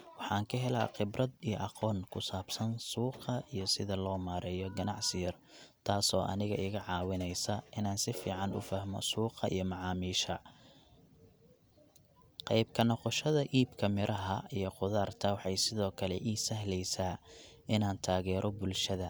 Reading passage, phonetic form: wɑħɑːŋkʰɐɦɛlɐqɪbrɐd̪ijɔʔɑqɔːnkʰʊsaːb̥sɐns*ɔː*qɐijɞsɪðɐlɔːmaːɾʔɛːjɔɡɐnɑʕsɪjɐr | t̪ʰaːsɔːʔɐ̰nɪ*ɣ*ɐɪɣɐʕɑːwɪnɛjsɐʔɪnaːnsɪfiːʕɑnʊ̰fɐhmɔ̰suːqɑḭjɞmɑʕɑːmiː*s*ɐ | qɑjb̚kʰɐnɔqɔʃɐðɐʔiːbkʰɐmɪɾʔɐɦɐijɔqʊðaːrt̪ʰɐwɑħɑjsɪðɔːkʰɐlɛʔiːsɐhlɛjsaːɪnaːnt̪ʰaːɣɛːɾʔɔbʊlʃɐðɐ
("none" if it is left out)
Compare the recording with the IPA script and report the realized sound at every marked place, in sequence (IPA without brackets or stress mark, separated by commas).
uː, ɣ, ʃ